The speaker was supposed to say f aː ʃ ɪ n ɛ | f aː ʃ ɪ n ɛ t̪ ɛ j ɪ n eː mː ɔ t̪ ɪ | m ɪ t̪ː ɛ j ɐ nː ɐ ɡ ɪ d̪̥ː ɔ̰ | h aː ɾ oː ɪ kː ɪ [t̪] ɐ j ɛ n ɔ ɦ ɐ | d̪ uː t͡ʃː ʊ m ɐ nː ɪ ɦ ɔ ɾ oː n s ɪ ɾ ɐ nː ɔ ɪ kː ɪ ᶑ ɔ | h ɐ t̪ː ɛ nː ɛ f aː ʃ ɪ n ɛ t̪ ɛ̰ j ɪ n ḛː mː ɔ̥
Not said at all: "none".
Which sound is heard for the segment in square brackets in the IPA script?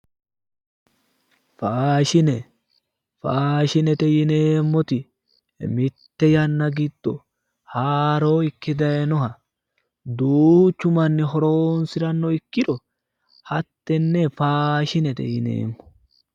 d̪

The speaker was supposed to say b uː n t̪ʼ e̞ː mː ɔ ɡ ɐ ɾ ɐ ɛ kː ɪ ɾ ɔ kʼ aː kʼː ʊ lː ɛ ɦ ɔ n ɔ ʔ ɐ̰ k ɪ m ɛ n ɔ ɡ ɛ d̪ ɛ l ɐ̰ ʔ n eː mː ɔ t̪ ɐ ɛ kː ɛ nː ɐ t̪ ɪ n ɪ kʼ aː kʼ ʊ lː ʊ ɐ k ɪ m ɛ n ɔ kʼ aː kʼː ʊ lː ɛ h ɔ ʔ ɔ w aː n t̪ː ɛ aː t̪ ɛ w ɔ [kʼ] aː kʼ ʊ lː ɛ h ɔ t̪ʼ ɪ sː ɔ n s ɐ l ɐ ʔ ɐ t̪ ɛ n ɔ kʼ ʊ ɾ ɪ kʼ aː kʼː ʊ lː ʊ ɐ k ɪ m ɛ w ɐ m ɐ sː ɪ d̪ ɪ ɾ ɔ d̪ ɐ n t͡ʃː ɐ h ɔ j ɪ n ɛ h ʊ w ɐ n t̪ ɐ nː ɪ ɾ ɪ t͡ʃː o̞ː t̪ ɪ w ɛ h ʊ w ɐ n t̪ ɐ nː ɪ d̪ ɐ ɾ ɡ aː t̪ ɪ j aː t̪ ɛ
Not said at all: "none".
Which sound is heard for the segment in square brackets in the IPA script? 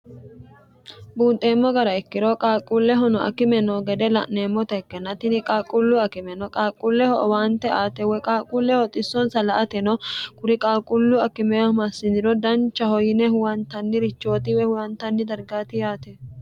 kʼ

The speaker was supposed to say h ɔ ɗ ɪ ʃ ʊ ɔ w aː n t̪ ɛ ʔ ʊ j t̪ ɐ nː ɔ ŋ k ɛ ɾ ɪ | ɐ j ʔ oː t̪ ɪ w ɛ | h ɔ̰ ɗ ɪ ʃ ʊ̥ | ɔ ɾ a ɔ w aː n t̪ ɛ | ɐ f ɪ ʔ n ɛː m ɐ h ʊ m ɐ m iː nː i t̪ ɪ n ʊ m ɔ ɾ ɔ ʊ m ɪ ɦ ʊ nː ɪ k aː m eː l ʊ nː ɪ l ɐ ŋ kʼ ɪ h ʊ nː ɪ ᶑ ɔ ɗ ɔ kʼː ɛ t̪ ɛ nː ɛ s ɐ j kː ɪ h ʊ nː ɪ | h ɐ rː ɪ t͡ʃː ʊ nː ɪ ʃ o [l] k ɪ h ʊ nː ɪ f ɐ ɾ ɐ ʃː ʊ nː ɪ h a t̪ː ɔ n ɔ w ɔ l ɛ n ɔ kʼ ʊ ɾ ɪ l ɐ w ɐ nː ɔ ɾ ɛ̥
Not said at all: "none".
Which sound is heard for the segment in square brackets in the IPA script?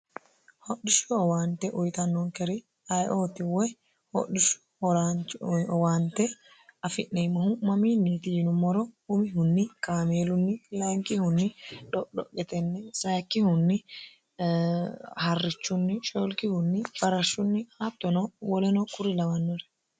l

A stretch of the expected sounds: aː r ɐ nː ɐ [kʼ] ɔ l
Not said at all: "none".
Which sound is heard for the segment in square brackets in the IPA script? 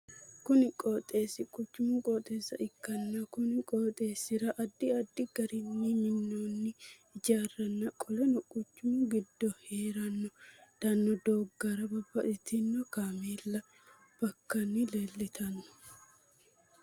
kʼ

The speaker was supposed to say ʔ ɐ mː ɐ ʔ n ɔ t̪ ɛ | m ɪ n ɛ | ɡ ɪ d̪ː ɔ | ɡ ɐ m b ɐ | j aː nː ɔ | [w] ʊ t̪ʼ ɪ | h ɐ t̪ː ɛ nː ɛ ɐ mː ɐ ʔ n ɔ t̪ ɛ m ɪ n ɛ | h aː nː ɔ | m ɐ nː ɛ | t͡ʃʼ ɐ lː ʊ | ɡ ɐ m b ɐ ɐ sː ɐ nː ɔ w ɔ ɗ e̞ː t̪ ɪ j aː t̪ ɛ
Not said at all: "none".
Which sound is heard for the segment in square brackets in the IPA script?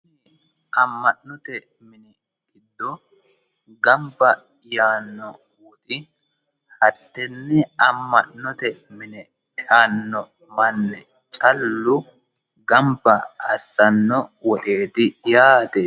w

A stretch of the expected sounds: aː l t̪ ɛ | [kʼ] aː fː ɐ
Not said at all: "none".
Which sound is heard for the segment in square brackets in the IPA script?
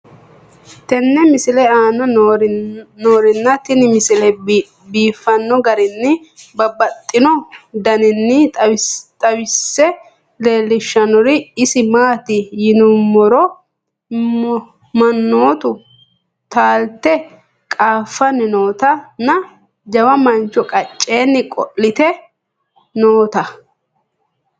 kʼ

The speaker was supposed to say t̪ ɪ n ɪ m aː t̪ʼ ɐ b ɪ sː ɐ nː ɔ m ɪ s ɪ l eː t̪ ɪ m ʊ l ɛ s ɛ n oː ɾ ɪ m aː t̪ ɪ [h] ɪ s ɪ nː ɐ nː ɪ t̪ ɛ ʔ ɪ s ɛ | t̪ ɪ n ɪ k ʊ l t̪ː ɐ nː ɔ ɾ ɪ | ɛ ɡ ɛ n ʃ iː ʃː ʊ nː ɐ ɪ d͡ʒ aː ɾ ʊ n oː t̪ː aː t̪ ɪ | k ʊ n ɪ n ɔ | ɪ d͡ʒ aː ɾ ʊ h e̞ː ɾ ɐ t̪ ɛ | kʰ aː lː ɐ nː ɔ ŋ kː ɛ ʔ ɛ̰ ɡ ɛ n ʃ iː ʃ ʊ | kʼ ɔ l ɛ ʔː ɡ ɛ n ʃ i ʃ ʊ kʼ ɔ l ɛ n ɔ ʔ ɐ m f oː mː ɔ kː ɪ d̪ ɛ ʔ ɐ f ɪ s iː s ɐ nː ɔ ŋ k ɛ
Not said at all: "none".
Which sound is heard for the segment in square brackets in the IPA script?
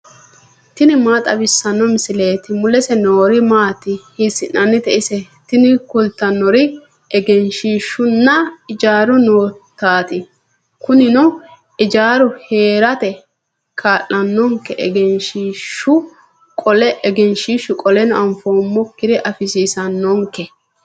h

